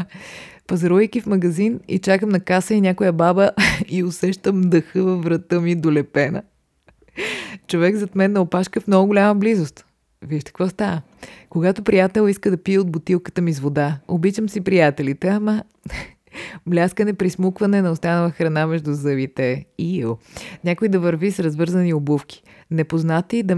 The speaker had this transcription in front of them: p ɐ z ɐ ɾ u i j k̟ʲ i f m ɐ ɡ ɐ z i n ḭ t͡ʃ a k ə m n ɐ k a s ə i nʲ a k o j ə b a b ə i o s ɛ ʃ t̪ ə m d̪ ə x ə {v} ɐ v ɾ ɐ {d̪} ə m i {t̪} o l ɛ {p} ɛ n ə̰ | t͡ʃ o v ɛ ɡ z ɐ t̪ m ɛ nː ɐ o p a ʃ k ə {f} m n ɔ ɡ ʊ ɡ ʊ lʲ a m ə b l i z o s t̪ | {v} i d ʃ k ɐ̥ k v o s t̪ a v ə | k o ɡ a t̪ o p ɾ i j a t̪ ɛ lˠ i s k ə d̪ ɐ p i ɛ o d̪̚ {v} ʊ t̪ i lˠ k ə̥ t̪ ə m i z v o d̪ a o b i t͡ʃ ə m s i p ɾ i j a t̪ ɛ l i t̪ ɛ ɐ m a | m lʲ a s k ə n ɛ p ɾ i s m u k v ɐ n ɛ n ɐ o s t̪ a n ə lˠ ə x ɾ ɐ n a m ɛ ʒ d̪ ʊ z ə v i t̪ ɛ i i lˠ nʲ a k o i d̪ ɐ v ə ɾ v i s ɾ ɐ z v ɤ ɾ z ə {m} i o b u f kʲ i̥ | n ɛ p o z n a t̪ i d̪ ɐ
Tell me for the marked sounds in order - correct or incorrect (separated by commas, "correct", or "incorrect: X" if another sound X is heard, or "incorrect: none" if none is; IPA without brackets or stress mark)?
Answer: correct, incorrect: t̪, incorrect: d̪, correct, correct, correct, incorrect: b, incorrect: n